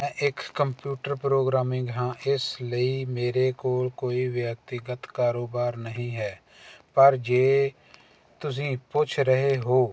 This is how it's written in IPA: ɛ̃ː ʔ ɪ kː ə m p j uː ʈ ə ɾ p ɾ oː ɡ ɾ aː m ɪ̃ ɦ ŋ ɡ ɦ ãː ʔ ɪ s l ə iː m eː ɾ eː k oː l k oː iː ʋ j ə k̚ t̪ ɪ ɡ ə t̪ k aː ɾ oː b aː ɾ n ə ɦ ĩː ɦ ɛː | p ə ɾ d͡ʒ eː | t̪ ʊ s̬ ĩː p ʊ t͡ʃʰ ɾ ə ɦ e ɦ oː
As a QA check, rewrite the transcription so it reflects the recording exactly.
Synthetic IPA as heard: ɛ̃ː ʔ ɪ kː ə m p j uː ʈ ə ɾ p ɾ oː ɡ ɾ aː m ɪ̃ ŋ ɡ ɦ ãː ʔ ɪ s l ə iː m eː ɾ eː k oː l k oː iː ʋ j ə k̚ t̪ ɪ ɡ ə t̪ k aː ɾ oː b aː ɾ n ə ɦ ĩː ɦ ɛː | p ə ɾ d͡ʒ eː | t̪ ʊ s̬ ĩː p ʊ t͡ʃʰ ɾ ə ɦ e ɦ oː